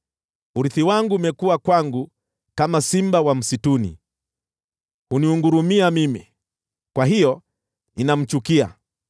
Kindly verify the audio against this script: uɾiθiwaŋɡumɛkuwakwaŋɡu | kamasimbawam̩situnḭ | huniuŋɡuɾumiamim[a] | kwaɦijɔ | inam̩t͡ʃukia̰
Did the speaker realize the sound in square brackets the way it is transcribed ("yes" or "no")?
no